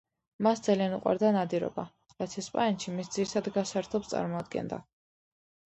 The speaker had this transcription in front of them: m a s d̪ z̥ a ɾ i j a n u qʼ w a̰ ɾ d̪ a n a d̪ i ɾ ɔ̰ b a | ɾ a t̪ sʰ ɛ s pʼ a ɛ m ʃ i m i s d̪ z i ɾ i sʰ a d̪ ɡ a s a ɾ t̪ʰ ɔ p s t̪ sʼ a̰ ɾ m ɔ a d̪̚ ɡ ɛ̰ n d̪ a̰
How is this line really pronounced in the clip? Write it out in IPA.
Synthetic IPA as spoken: m a s d̪ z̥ a l i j a n u qʼ w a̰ ɾ d̪ a n a d̪ i ɾ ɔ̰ b a | ɾ a t̪ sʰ ɛ s pʼ a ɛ n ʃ i m i s d̪ z i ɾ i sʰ a d̪ ɡ a s a ɾ t̪ʰ ɔ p s t̪ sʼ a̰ ɾ m ɔ a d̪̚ ɡ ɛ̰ n d̪ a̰

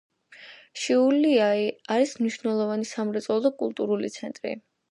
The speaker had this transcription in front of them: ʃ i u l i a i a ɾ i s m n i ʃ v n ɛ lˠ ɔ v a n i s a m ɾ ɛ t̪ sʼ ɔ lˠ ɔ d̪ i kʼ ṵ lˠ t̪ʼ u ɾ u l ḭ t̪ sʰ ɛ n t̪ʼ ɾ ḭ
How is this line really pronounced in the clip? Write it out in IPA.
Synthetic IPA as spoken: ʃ i u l i a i a ɾ i s m n i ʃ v n ɛ lˠ ɔ v a n i s a m ɾ ɛ t̪ sʼ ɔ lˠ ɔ d̪ a kʼ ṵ lˠ t̪ʼ u ɾ u l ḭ t̪ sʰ ɛ n t̪ʼ ɾ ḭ

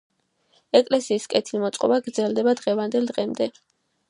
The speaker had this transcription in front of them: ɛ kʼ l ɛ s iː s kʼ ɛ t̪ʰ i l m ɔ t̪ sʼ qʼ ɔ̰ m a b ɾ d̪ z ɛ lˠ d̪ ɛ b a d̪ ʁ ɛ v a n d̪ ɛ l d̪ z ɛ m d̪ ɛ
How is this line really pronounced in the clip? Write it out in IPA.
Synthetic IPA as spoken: ɛ kʼ l ɛ s iː s kʼ ɛ t̪ʰ i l m ɔ t̪ sʼ qʼ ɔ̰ b a ɡ ɾ d̪ z ɛ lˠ d̪ ɛ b a d̪ ʁ ɛ v a n d̪ ɛ l d̪ ʁ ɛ m d̪ ɛ

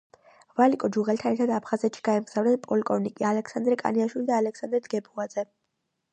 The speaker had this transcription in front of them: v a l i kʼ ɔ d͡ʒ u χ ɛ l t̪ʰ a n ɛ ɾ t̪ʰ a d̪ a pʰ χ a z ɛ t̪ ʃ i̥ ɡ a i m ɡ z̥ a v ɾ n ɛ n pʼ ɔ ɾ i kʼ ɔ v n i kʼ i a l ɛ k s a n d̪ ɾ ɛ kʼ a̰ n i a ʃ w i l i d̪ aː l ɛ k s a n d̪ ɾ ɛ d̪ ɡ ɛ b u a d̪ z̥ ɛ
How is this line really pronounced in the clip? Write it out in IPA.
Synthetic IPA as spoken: v a l i kʼ ɔ d͡ʒ u ʁ ɛ l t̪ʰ a n ɛ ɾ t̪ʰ a d̪ a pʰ χ a z ɛ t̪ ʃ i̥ ɡ a ɛ m ɡ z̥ a v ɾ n ɛ n pʼ ɔ l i kʼ ɔ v n i kʼ i a l ɛ k s a n d̪ ɾ ɛ kʼ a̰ n i a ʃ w i l i d̪ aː l ɛ k s a n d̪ ɾ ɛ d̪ ɡ ɛ b u a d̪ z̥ ɛ

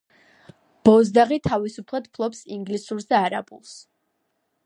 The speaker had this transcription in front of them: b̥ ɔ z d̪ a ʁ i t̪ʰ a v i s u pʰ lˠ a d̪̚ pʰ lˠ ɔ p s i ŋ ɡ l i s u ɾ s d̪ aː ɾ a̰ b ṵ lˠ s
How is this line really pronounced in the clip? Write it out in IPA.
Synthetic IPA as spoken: b̥ ɔ z d̪ a ʁ i t̪ʰ a v i s u pʰ lˠ a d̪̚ pʰ lˠ ɔ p s i ŋ ɡ l i s u ɾ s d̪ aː ɾ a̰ b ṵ lˠ s

